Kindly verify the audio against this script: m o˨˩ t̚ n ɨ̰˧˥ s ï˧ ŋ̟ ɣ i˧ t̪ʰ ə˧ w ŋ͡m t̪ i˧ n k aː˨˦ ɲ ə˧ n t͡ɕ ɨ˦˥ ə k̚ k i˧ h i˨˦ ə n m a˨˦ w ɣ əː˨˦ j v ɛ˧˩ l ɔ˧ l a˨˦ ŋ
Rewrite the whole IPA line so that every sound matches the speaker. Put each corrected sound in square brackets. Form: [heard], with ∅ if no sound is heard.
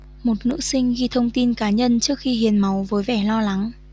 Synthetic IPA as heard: m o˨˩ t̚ n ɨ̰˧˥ s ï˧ ŋ̟ ɣ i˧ t̪ʰ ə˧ w ŋ͡m t̪ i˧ n k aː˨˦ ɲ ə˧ n t͡ɕ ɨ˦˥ ə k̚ [x] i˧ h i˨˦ ə n m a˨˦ w [v] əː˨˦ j v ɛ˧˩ l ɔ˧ l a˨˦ ŋ